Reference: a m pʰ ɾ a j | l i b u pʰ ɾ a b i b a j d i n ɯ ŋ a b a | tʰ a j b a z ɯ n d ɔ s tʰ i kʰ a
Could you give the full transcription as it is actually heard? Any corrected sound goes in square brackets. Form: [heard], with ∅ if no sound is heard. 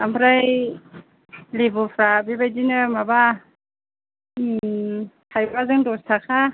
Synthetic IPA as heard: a m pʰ ɾ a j | l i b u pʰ ɾ a b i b a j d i n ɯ [m] a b a | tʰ a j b a z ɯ [ŋ] d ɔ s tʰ [a] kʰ a

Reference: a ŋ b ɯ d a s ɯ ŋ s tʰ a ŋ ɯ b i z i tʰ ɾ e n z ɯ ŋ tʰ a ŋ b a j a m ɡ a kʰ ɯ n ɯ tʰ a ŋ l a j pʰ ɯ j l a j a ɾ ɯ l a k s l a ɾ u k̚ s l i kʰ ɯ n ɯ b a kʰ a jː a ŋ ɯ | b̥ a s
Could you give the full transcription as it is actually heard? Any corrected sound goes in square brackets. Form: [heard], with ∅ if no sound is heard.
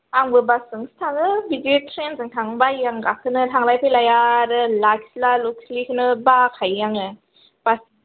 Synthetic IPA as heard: a ŋ b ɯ [b] a s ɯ ŋ s tʰ a ŋ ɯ b i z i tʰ ɾ e n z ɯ ŋ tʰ a ŋ b a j a [ŋ] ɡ a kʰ ɯ n ɯ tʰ a ŋ l a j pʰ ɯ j l a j a ɾ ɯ l a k s l a [l] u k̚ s l i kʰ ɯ n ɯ b a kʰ a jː a ŋ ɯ | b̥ a s

